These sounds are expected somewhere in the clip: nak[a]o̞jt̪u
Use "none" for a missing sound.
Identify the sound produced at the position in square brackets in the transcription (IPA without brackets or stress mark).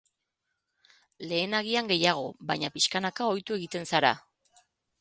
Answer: a